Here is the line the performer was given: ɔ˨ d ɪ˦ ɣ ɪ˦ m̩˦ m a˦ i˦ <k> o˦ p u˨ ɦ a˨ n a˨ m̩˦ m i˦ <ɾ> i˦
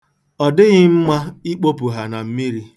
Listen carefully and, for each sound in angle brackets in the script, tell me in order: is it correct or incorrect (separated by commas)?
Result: incorrect, correct